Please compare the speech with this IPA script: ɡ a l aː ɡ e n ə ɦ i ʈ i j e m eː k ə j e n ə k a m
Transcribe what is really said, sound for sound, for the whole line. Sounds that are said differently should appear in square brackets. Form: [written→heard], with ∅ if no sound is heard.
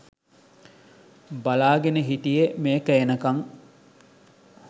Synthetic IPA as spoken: [ɡ→b] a l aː ɡ e n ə ɦ i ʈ i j e m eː k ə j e n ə k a [m→ŋ]